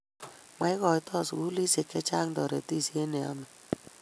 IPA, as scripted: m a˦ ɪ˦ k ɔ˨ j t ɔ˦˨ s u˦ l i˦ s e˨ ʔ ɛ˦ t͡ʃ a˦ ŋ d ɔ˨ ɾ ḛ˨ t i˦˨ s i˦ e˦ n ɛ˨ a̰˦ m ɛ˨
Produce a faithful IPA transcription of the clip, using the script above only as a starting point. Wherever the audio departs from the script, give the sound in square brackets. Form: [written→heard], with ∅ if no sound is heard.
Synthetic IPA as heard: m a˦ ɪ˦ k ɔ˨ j t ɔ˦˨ s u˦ l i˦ s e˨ [ʔ→k] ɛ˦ t͡ʃ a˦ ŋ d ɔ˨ ɾ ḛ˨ t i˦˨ s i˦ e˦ n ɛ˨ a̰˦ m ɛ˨